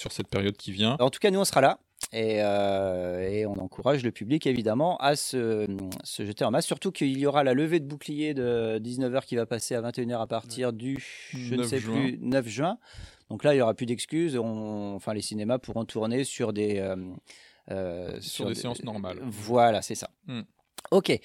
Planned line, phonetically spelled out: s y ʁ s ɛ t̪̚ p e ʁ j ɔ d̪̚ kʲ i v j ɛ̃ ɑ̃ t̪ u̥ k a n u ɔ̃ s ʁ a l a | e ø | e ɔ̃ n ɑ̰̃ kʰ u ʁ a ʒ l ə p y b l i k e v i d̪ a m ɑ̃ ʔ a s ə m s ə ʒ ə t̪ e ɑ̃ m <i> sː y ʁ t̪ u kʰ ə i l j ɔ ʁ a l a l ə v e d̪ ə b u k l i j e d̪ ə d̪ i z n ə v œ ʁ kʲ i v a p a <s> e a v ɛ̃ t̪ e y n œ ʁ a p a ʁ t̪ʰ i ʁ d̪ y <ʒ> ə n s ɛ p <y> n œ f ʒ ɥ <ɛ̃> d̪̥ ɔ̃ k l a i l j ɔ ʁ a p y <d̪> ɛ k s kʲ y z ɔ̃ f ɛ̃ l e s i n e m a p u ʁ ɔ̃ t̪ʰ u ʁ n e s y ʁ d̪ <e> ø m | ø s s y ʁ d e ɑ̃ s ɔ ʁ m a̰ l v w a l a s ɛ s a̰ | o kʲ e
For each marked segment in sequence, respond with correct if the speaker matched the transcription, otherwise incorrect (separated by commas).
incorrect, correct, correct, correct, correct, correct, correct